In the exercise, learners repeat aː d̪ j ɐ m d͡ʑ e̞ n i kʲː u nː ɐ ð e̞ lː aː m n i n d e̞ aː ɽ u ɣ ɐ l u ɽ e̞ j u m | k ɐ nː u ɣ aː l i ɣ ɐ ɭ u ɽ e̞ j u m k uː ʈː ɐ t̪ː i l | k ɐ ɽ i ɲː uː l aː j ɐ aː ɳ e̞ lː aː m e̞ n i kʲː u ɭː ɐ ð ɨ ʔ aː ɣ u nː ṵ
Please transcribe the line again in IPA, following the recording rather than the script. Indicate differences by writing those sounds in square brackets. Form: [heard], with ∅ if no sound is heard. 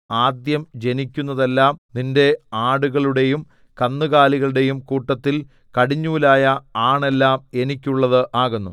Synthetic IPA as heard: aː d̪ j ɐ m d͡ʑ e̞ n i kʲː u nː ɐ ð e̞ lː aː m n i n d e̞ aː ɽ u ɣ ɐ [ɭ] u ɽ e̞ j u m | k ɐ nː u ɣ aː l i ɣ ɐ ɭ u ɽ e̞ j u m k uː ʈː ɐ t̪ː i l | k ɐ ɽ i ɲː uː l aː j ɐ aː ɳ e̞ lː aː m e̞ n i kʲː u ɭː ɐ ð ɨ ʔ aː ɣ u nː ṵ